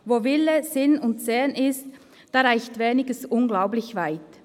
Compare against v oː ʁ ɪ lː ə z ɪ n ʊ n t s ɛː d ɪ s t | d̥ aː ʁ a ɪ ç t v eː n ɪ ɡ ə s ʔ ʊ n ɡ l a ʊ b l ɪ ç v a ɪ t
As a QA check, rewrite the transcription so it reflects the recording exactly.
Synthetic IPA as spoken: v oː v ɪ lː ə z ɪ n ʊ n t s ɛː n ɪ s t | d̥ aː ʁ a ɪ ç t v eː n ɪ ɡ ə s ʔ ʊ n ɡ l a ʊ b l ɪ ç v a ɪ t